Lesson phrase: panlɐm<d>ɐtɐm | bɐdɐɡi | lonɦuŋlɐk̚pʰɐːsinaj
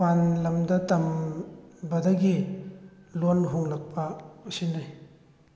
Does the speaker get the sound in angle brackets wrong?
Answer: no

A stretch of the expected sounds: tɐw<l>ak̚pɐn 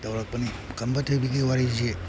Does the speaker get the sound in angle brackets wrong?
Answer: yes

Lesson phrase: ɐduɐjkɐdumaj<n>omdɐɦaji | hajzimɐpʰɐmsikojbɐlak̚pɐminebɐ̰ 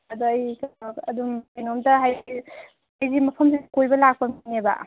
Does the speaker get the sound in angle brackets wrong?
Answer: no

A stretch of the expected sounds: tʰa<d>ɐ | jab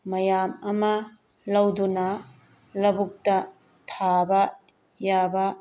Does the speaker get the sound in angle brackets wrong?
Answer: yes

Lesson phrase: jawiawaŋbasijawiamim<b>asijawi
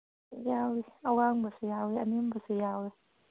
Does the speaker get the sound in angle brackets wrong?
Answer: no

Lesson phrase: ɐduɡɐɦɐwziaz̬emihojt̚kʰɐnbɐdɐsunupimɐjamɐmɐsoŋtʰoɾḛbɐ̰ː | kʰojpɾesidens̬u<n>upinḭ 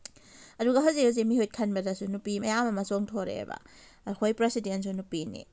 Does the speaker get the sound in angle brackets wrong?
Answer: no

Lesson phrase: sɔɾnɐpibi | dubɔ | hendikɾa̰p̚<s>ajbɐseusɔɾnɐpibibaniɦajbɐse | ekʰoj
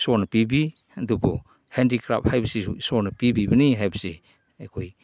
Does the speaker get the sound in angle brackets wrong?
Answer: yes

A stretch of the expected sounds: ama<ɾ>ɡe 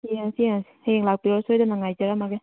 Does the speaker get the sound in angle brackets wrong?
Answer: yes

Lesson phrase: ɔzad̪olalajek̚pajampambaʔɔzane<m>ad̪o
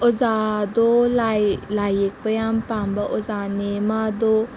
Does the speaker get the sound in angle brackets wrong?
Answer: no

